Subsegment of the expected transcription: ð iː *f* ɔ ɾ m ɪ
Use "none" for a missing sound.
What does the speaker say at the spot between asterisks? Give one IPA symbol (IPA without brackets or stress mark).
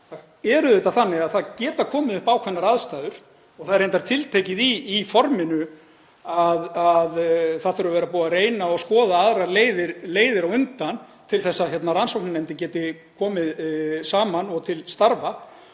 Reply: f